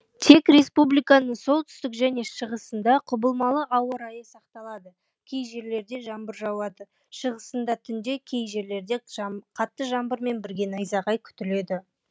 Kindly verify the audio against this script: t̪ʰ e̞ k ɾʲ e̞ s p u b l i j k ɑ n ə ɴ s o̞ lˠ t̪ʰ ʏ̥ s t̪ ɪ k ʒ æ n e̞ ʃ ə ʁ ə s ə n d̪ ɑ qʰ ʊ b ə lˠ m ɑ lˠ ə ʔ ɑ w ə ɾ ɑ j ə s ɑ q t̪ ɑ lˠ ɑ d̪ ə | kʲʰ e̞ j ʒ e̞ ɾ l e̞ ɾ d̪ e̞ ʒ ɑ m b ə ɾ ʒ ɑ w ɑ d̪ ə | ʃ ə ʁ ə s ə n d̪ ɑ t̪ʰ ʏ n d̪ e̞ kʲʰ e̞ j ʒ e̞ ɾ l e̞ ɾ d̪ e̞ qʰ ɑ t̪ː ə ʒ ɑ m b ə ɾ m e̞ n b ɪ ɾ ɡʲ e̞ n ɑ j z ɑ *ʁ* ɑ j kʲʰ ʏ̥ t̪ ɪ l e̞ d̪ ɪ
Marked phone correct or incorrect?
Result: correct